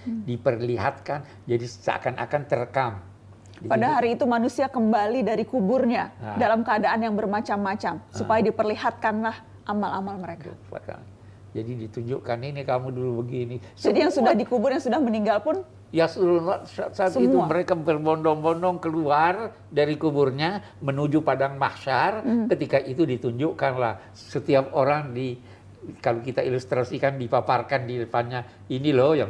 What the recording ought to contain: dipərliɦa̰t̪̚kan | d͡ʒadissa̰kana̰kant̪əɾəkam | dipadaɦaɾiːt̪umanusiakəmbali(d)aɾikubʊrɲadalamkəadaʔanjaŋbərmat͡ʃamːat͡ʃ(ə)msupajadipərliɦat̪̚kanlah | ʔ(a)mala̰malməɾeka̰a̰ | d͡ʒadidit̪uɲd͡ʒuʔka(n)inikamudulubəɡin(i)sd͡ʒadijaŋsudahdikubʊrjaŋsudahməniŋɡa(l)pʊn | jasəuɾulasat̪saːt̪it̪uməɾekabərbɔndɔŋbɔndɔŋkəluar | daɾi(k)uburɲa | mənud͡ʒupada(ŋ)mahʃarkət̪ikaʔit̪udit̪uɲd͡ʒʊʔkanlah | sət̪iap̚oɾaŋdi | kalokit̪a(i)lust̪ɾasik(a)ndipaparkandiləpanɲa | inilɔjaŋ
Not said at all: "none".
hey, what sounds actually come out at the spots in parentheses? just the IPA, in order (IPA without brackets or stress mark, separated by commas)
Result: d, a, a, n, i, l, k, ŋ, i, a